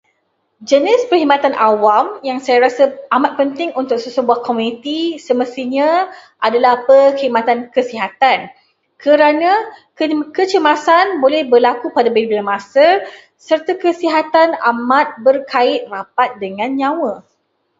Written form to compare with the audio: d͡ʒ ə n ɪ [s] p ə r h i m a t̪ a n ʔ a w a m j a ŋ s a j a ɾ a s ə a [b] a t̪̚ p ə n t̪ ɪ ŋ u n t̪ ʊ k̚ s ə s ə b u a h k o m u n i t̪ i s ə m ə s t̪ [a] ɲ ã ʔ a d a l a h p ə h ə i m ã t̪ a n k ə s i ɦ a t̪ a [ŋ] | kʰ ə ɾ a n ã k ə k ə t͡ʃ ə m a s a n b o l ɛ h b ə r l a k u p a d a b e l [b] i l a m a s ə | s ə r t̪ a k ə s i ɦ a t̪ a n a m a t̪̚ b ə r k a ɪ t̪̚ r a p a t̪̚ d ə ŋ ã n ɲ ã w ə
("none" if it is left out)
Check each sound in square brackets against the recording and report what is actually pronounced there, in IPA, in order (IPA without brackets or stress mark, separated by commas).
s, m, i, n, b